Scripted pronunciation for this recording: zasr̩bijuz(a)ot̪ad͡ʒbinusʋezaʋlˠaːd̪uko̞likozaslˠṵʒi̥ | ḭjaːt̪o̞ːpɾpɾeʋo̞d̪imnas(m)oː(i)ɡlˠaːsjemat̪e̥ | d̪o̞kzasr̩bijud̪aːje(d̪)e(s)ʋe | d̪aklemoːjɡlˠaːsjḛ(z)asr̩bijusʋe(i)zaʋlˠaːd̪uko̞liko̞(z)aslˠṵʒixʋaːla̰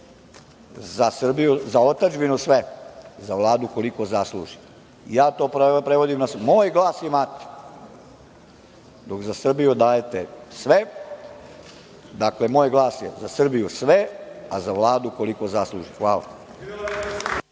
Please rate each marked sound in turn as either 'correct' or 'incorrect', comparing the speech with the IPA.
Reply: correct, correct, incorrect: j, incorrect: t̪, correct, correct, incorrect: a, correct

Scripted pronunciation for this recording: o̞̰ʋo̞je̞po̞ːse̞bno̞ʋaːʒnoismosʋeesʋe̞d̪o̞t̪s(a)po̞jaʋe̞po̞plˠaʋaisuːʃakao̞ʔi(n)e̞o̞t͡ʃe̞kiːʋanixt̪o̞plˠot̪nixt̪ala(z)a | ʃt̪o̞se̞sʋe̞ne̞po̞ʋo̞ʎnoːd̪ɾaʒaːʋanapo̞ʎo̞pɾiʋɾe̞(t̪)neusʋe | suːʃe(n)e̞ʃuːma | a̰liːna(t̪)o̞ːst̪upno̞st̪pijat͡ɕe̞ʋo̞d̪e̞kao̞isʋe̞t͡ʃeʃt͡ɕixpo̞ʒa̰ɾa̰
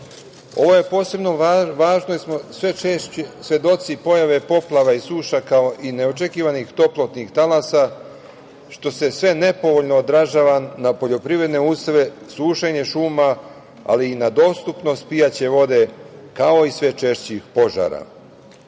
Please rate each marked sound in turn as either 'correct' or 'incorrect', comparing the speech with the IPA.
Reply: incorrect: i, correct, incorrect: s, incorrect: d̪, incorrect: ɲ, incorrect: d̪

